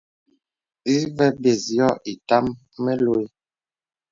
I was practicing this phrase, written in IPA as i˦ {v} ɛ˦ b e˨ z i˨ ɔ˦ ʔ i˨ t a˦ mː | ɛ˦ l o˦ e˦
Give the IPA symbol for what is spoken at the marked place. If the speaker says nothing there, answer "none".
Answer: v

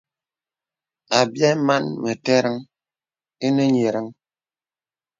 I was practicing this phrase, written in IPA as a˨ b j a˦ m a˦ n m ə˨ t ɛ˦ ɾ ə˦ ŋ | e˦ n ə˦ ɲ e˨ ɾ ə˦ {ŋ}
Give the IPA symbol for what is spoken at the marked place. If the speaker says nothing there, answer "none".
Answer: ŋ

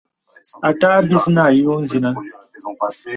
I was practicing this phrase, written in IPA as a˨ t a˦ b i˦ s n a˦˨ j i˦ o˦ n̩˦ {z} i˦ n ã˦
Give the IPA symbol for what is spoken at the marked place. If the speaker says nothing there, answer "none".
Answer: z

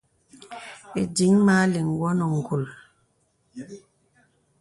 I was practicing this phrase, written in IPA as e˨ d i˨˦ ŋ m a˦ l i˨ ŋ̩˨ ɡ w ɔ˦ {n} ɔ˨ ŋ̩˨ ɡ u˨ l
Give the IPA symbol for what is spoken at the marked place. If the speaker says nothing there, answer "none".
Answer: n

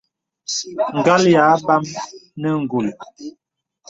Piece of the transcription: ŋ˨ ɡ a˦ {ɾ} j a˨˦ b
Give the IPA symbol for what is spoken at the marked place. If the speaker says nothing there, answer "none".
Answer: l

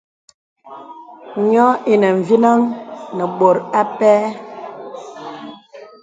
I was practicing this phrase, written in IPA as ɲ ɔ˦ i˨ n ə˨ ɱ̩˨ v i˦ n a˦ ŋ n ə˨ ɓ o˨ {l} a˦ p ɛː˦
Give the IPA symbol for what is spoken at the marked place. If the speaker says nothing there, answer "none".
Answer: ɾ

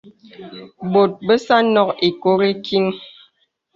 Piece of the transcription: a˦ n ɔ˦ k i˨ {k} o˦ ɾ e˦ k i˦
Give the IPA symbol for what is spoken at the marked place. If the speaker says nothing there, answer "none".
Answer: k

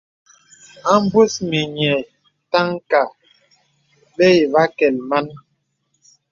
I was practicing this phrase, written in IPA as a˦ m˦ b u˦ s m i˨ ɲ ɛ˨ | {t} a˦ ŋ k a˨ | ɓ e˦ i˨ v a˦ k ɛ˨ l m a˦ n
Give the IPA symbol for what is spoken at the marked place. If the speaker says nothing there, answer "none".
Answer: t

